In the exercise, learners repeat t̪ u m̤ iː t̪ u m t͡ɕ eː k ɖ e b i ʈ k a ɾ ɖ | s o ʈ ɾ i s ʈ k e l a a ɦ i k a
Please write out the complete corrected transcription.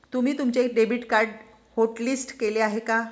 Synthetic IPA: t̪ u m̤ iː t̪ u m t͡ɕ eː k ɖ e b i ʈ k a ɾ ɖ | h o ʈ l i s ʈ k e l e a ɦ e k a